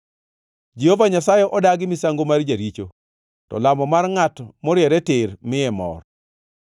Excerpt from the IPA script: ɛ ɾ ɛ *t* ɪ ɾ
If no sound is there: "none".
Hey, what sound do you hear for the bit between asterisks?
t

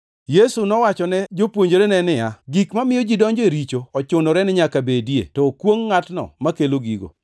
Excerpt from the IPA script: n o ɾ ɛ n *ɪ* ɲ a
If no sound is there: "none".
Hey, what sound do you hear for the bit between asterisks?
ɪ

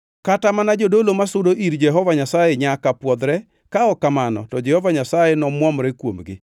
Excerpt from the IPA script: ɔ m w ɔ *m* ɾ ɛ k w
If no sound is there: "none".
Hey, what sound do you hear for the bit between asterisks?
m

